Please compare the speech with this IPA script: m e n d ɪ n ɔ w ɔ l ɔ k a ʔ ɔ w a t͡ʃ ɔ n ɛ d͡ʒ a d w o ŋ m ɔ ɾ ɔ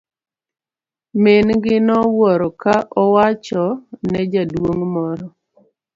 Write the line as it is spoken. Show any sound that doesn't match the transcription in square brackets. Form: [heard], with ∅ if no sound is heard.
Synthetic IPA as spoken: m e n [ɡ] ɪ n ɔ w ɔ [ɾ] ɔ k a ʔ ɔ w a t͡ʃ ɔ n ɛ d͡ʒ a d w o ŋ m ɔ ɾ ɔ